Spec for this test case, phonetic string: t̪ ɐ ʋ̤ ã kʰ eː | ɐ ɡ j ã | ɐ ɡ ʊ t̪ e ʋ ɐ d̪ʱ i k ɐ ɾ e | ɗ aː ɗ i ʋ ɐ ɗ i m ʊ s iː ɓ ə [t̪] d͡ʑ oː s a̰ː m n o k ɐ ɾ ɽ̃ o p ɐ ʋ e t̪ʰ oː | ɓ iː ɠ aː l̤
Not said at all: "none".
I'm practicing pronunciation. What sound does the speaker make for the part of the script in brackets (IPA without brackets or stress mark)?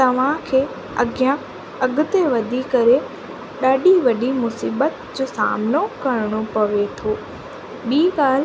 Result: t̪